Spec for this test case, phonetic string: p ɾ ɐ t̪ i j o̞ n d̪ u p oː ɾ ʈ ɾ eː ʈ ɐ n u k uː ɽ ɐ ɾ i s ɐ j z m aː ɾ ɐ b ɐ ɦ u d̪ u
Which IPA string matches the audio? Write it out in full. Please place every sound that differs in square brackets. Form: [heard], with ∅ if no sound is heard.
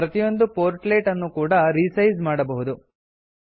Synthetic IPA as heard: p ɾ ɐ t̪ i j o̞ n d̪ u p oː ɾ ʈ [l] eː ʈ ɐ [nː] u k uː ɽ ɐ ɾ i s ɐ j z m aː [ɽ] ɐ b ɐ ɦ u d̪ u